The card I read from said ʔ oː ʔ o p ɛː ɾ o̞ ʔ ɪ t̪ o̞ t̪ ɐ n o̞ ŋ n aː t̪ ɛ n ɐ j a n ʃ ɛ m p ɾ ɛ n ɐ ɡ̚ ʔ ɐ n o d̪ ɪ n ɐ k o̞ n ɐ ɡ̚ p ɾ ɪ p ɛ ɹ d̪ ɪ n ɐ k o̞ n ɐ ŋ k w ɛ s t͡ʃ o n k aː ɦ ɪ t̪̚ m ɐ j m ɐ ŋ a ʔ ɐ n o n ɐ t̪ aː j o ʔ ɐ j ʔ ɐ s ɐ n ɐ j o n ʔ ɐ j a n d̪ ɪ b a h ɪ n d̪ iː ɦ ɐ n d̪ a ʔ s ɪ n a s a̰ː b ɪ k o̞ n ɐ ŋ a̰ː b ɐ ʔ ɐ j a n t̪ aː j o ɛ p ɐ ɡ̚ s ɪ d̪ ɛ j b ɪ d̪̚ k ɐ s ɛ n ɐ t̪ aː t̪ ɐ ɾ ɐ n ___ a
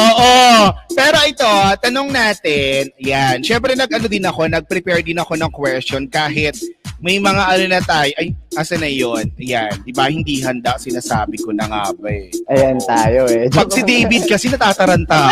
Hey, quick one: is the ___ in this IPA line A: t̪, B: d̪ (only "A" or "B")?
A